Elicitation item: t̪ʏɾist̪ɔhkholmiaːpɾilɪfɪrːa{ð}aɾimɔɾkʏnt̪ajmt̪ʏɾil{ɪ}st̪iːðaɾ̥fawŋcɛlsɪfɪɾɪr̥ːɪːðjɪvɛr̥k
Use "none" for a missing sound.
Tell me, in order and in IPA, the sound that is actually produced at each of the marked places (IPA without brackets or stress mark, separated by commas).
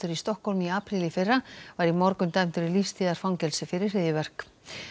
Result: v, i